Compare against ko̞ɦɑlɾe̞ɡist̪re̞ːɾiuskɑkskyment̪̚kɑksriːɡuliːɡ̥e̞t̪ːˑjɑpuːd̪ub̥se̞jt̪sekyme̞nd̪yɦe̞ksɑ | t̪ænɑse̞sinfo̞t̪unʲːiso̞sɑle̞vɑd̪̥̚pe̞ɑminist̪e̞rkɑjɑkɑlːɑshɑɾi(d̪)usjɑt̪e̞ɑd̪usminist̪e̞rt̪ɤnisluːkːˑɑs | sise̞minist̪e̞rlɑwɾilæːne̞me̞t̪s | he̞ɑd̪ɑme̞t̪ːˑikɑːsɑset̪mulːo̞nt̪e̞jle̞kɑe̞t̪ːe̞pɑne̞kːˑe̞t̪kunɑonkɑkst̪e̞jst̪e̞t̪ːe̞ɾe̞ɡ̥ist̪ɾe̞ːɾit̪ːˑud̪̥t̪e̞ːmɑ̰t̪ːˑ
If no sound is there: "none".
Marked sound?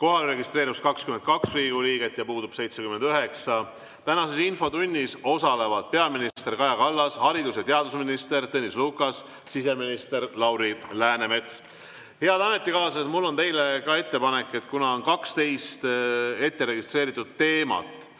d̪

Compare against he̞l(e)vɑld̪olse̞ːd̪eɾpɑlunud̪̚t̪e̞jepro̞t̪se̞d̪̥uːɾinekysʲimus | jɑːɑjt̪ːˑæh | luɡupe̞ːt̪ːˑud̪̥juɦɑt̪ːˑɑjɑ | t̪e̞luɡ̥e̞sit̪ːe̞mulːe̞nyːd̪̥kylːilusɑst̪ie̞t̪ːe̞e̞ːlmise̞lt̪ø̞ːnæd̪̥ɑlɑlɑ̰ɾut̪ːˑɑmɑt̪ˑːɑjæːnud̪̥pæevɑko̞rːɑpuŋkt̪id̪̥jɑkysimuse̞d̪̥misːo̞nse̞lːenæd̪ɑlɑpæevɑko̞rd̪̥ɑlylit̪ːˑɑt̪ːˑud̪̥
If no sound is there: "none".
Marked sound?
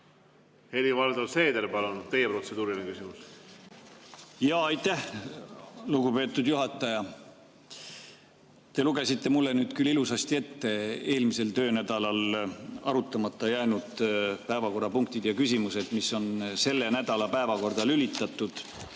i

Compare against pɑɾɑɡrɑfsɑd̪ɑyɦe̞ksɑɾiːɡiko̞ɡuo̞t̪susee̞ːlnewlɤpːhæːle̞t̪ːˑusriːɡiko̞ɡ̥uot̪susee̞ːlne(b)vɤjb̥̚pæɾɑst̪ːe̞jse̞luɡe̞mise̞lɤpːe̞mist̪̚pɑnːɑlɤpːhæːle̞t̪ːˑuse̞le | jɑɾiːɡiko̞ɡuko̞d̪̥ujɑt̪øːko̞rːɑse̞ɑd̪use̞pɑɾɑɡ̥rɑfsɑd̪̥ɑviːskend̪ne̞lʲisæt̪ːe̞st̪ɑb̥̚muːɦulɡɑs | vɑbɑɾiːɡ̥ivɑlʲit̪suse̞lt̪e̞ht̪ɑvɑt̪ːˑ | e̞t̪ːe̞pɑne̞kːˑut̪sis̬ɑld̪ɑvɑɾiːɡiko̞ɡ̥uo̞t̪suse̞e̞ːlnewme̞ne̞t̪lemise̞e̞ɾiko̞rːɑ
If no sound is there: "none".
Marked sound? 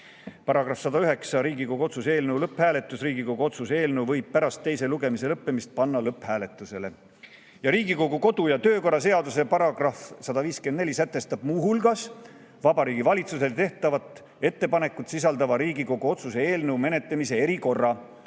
w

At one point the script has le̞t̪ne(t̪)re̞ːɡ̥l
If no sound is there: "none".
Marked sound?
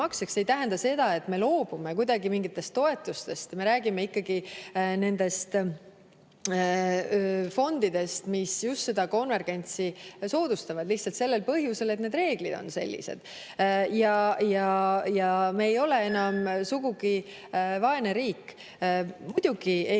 d̪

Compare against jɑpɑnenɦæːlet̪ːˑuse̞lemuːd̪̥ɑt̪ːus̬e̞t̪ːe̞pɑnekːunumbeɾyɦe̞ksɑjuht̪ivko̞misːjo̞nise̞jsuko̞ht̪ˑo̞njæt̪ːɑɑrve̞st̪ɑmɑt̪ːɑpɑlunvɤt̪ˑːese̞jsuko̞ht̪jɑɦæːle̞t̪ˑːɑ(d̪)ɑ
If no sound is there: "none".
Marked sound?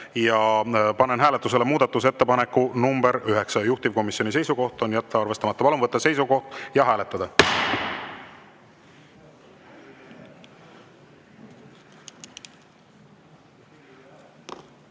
d̪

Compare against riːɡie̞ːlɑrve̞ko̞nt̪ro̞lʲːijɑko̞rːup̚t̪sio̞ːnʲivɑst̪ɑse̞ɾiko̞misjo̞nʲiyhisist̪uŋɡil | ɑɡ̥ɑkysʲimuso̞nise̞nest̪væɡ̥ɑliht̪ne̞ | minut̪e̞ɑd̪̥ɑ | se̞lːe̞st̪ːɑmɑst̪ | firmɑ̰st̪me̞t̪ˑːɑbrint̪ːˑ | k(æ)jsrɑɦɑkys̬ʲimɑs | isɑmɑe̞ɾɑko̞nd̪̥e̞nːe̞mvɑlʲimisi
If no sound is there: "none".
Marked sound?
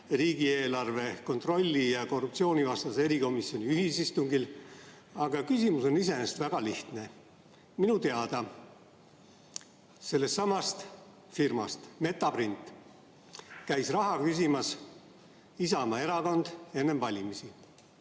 æ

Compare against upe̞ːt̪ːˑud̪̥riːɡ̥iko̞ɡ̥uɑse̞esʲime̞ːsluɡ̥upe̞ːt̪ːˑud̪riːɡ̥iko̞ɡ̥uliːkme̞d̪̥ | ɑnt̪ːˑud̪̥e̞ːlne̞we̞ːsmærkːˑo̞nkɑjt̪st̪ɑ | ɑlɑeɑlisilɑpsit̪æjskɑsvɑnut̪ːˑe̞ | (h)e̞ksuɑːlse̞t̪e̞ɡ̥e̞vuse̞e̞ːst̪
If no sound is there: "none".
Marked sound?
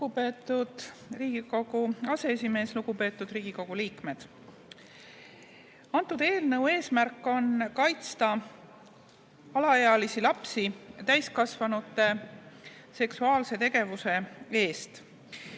s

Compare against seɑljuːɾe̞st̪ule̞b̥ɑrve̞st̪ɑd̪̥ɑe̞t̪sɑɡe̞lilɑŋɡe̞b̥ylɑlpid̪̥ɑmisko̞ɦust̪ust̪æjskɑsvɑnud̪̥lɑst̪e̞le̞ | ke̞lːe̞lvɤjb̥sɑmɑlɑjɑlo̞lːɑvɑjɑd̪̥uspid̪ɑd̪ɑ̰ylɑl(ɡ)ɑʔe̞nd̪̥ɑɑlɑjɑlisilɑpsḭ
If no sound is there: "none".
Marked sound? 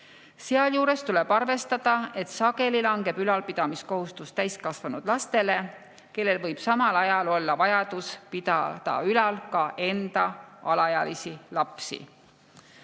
k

